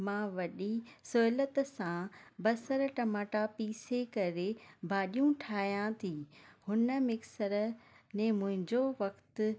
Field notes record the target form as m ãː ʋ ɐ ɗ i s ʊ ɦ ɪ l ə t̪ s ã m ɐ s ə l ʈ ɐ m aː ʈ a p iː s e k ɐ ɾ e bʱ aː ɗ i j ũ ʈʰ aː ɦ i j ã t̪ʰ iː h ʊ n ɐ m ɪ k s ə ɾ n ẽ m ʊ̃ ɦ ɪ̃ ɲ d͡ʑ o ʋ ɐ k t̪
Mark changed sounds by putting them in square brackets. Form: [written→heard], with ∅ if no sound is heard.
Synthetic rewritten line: m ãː ʋ ɐ ɗ i s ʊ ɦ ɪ l ə t̪ s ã [m→b] ɐ s ə [l→ɾ] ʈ ɐ m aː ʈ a p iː s e k ɐ ɾ e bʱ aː ɗ i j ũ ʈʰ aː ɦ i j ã t̪ʰ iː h ʊ n [ɐ→ə] m ɪ k s ə ɾ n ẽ m ʊ̃ ɦ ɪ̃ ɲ d͡ʑ o ʋ ɐ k t̪